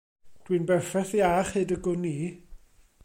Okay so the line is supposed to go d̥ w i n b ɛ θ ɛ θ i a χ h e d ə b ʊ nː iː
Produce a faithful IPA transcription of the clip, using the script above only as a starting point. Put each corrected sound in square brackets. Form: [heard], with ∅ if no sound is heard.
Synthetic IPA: d̥ w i n b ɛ [f] ɛ θ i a χ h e d ə [ɡ] ʊ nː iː